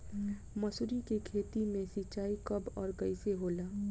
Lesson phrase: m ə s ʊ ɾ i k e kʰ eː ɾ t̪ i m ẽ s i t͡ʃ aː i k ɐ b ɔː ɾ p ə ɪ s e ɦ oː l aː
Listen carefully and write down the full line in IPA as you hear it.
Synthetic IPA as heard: m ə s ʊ ɾ i k e kʰ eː t̪ i m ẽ s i t͡ʃ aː i k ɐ b ɔː ɾ k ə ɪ s e ɦ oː l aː